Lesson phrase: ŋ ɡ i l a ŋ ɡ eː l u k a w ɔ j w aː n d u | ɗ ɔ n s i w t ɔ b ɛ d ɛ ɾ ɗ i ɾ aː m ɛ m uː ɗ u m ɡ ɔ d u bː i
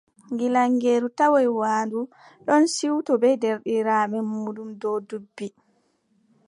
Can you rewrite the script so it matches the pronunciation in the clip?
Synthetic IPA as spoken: ŋ ɡ i l a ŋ ɡ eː ɾ u t a w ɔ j w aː n d u | ɗ ɔ n s i w t ɔ b ɛ d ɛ ɾ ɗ i ɾ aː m ɛ m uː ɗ u m d ɔ d u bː i